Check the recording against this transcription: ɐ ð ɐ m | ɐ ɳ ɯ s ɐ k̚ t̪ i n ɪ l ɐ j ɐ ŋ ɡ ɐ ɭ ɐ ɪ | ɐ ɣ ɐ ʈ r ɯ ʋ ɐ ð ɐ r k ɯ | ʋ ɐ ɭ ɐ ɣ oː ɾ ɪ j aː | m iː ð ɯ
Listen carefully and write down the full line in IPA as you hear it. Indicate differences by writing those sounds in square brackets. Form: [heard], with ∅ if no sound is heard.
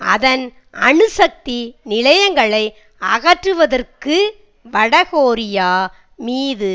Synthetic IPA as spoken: ɐ ð ɐ [n] | ɐ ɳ ɯ s ɐ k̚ t̪ i n ɪ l ɐ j ɐ ŋ ɡ ɐ ɭ ɐ ɪ | ɐ ɣ ɐ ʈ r ɯ ʋ ɐ ð ɐ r k ɯ | ʋ ɐ [ɽ] ɐ ɣ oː ɾ ɪ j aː | m iː ð ɯ